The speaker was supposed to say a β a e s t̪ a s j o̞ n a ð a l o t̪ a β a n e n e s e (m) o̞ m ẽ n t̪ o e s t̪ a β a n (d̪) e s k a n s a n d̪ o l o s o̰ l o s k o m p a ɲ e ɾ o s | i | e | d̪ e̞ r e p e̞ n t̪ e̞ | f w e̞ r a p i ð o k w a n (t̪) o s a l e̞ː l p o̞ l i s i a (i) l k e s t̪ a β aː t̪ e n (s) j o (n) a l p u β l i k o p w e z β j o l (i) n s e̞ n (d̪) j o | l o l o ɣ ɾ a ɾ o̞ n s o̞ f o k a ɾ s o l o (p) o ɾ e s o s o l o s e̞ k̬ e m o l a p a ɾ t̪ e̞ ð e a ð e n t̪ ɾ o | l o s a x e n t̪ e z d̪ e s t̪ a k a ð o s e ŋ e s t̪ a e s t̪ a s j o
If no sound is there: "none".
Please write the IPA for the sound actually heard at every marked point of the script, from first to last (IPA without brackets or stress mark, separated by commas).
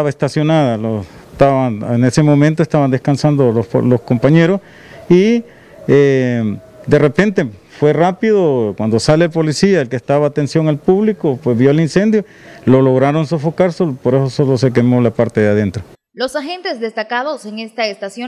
m, d̪, d̪, e, s, ŋ, i, d̪, p